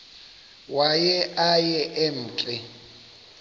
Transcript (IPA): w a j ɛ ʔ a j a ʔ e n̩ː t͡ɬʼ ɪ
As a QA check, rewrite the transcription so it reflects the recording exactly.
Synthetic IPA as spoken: w a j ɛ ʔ a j ɛ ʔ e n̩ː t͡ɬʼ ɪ